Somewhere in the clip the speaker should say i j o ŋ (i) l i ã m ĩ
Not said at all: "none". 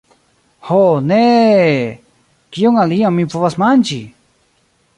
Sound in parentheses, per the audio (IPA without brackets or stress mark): a